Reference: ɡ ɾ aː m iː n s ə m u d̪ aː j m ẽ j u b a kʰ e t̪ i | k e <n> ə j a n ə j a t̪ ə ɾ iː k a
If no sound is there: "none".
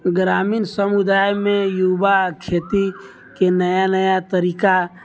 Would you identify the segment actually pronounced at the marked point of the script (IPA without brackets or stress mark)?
n